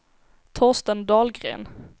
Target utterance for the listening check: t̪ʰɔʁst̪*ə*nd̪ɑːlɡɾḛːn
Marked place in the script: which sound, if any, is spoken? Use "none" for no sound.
ə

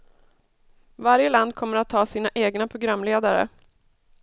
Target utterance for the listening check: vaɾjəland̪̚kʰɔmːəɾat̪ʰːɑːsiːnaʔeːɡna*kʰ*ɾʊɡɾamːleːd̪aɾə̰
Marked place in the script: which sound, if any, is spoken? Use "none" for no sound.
pʰ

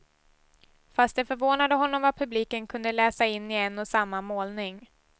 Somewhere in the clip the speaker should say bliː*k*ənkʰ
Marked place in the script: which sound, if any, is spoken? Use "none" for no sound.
k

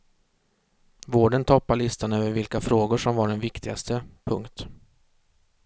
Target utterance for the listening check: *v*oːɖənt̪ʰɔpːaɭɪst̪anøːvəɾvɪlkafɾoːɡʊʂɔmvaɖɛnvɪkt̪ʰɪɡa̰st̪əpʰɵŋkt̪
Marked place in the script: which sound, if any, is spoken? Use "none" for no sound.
v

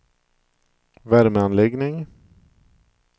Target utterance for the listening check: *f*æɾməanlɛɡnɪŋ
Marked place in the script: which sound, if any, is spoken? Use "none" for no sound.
v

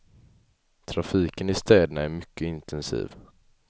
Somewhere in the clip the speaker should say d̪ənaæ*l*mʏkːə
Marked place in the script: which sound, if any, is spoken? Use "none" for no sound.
ɾ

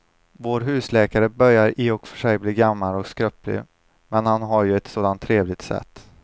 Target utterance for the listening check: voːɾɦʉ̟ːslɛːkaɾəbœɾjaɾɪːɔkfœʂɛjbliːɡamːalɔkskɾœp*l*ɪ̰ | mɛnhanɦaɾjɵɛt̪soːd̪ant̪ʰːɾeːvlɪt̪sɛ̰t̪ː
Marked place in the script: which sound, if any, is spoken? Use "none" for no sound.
l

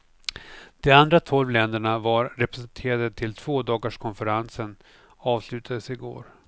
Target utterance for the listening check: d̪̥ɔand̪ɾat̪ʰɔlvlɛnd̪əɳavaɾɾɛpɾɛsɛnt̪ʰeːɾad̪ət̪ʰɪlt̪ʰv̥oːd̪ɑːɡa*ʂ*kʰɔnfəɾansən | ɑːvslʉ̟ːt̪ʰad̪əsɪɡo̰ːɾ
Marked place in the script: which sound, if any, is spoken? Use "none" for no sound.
ʂ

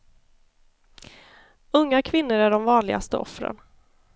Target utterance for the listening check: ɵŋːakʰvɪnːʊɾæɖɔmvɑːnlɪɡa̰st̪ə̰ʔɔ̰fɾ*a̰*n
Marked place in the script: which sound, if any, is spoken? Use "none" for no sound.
ə̰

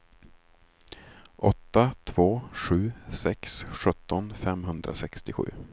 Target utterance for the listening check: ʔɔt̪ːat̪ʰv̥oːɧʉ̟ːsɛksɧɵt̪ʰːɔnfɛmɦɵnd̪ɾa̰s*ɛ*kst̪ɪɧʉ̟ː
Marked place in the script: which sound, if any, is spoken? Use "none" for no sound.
ɛ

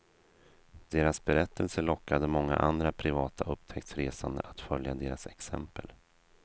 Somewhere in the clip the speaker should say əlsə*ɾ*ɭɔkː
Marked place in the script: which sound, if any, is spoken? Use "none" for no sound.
none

